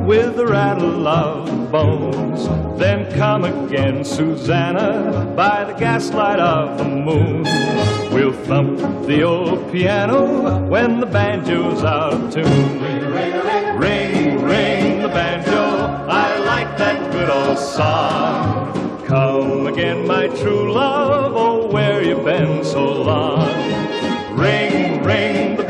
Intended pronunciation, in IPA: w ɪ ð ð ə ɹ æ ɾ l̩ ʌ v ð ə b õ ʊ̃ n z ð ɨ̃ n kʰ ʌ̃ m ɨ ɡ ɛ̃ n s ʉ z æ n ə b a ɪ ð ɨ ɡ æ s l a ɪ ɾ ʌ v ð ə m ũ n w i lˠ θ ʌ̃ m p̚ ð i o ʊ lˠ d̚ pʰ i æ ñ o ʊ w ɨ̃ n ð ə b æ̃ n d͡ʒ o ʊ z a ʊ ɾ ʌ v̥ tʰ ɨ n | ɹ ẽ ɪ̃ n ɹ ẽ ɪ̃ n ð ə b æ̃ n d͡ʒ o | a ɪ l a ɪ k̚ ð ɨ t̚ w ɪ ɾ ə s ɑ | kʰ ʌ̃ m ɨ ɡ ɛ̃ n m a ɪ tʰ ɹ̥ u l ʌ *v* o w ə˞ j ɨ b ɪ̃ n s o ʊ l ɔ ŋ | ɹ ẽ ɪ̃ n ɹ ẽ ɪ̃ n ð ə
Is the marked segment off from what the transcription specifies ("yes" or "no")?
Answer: no